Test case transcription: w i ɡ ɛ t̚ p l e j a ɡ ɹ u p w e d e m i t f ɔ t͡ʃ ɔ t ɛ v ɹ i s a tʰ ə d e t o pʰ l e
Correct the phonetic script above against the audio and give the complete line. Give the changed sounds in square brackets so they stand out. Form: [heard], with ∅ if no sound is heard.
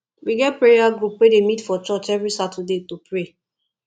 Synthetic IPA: w i ɡ ɛ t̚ p [ɹ] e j a ɡ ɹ u p w e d e m i t f ɔ t͡ʃ ɔ [t͡ʃ] ɛ v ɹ i s a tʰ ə d e t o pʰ [ɹ] e